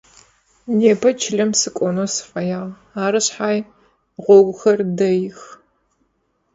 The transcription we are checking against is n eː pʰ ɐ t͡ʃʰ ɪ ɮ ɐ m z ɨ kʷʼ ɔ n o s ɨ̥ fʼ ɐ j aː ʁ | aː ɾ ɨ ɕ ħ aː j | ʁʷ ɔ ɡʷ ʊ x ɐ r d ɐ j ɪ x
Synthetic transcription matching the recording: n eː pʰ ɐ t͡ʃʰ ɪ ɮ ɐ m s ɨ kʷʼ ɔ n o s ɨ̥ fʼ ɐ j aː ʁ | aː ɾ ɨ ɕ ħ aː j | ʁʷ ɔ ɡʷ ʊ x ɐ r d ɐ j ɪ x